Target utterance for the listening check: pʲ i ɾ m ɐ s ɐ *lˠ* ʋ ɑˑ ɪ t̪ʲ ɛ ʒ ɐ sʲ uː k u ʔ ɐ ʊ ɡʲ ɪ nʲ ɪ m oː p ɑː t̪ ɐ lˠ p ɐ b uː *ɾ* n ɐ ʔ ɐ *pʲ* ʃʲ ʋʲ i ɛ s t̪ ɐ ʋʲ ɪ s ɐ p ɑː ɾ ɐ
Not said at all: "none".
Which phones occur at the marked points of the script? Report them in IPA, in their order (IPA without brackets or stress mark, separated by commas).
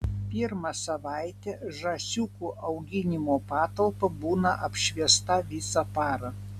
none, none, pʲ